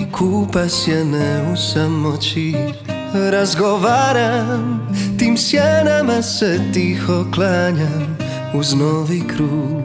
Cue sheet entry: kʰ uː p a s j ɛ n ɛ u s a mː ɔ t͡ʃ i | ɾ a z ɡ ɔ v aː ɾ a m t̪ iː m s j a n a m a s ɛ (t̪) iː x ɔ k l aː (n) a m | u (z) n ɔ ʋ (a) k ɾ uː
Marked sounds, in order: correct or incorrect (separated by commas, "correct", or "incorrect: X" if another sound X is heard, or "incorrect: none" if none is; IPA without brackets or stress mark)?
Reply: correct, incorrect: ɲ, correct, incorrect: i